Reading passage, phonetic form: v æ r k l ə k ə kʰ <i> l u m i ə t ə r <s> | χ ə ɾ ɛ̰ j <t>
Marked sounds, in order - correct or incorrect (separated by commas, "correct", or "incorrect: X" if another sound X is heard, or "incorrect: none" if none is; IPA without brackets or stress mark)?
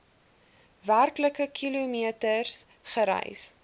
correct, correct, incorrect: s